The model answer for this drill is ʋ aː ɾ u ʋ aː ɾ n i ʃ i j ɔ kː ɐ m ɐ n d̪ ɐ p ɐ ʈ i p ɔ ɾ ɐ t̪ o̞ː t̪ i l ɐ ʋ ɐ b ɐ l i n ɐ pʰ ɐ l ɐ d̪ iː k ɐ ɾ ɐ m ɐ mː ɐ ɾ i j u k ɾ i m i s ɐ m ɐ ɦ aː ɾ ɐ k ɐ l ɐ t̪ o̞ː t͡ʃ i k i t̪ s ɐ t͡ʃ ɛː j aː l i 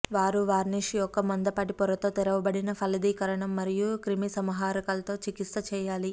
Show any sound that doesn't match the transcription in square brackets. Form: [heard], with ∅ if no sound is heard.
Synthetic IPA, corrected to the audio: ʋ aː ɾ u ʋ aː ɾ n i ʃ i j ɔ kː ɐ m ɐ n d̪ ɐ p ɐ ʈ i p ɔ ɾ ɐ t̪ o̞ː t̪ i [ɾ] ɐ ʋ ɐ b ɐ [ɽ] i n ɐ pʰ ɐ l ɐ d̪ iː k ɐ ɾ ɐ [ɳ] ɐ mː ɐ ɾ i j u k ɾ i m i s ɐ m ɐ ɦ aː ɾ ɐ k ɐ l ɐ t̪ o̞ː t͡ʃ i k i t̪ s ɐ t͡ʃ ɛː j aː l i